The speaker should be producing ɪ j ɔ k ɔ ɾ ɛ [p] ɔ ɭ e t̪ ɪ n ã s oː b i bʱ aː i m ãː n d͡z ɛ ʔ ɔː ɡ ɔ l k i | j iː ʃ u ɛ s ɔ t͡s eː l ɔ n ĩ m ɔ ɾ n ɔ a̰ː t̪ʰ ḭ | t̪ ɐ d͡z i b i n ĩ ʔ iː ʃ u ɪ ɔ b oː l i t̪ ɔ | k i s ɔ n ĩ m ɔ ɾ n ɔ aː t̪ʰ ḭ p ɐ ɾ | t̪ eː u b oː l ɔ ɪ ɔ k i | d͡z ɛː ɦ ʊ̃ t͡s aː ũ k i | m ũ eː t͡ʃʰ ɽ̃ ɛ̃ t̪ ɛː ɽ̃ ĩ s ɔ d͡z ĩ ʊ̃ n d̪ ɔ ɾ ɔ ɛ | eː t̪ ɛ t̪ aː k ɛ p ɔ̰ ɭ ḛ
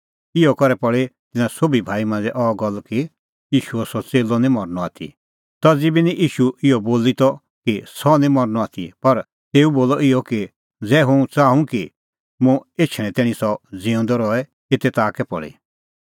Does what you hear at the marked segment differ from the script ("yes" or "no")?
no